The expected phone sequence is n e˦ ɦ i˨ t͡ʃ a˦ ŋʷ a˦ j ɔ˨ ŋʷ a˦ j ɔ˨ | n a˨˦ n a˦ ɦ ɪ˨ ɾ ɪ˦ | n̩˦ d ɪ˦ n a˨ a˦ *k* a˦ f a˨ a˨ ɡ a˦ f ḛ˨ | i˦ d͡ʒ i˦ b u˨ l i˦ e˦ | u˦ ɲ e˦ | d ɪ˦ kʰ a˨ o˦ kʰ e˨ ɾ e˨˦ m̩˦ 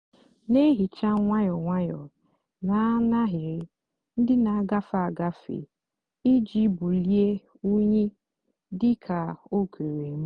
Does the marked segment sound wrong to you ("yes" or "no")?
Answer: yes